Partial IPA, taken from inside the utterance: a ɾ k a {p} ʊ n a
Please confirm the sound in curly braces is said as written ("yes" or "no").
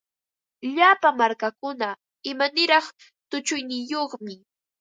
no